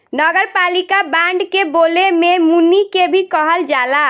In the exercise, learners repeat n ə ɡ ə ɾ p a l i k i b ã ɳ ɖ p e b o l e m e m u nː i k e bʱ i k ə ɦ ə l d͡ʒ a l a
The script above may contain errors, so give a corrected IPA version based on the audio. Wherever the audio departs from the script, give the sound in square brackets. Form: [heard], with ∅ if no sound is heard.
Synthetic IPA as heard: n ə ɡ ə ɾ p a l i k [a] b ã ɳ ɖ [k] e b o l e m e m u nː i k e bʱ i k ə ɦ ə l d͡ʒ a l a